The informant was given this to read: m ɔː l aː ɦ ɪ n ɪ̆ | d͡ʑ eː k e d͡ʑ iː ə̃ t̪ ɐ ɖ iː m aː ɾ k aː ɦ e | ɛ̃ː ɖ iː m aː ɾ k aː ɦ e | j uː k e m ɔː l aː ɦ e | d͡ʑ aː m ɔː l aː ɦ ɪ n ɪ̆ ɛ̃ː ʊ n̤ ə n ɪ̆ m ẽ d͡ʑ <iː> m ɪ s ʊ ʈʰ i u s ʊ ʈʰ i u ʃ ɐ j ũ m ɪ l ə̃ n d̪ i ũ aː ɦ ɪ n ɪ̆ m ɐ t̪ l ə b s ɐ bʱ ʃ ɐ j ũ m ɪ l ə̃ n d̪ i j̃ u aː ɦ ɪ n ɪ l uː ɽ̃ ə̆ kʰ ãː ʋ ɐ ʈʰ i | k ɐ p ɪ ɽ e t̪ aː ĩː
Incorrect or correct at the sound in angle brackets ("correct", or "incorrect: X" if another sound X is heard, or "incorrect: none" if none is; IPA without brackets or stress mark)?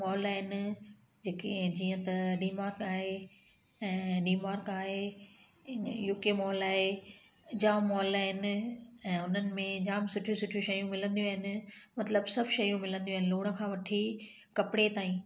incorrect: aː